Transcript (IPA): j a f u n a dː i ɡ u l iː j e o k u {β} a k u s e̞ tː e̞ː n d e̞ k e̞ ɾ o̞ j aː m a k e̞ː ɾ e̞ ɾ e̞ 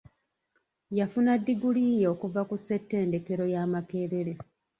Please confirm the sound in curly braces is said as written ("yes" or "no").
no